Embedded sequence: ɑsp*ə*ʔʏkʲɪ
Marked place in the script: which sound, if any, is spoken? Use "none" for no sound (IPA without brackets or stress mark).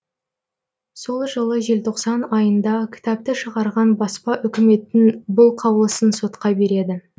ɑ